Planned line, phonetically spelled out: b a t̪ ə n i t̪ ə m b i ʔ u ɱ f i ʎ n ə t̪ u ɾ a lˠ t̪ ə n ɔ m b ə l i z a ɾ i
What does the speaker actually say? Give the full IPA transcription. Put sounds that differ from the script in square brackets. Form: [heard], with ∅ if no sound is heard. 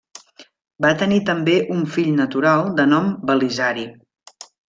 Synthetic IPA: b a t̪ ə n i t̪ ə m b [e] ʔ u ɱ f i ʎ n ə t̪ u ɾ a lˠ [d̪] ə n ɔ m b ə l i z a ɾ i